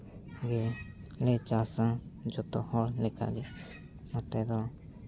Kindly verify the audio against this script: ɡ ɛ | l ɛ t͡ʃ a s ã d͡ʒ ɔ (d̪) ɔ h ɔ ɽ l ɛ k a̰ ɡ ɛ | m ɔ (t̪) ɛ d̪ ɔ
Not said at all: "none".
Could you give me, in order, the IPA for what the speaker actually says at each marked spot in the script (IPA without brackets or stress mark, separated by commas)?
t̪, t̪